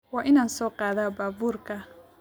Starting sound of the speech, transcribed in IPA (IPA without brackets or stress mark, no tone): w